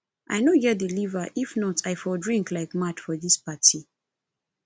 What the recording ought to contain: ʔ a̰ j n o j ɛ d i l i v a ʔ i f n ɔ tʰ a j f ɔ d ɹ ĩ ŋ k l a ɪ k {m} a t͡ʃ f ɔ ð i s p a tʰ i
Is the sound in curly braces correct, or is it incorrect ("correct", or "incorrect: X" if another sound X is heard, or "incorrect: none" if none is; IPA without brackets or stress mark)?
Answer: correct